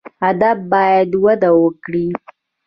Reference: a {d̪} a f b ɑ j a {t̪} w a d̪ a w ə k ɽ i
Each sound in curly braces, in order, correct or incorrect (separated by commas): correct, incorrect